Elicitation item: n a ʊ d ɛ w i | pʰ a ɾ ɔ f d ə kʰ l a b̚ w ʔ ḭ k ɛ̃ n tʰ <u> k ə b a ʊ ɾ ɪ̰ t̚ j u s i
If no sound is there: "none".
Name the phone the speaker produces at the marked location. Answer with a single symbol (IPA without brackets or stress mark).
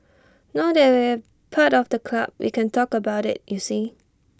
ɔ